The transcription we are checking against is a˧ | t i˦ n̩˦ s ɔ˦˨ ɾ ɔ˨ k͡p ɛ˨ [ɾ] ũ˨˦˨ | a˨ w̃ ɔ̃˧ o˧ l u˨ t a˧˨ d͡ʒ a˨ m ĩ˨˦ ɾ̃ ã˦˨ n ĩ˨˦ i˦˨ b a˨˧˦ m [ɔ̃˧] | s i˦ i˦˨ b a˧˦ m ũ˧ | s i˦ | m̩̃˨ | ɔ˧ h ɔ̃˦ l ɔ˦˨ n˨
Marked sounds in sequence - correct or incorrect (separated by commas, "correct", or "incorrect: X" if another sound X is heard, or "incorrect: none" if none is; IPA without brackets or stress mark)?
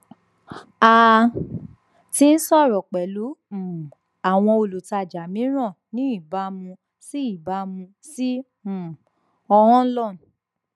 incorrect: l, incorrect: ũ˧